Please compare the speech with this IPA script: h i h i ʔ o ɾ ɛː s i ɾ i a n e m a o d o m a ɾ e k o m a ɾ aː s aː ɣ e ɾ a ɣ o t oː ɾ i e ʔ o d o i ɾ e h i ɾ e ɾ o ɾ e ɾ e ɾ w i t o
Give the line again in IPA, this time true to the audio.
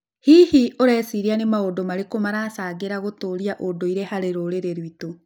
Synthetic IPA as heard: h i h i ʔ o ɾ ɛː s i ɾ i a n e m a o d o m a ɾ e k o m a ɾ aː s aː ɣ e ɾ a ɣ o t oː ɾ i a ʔ o d o i ɾ e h a ɾ e ɾ o ɾ e ɾ e ɾ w i t o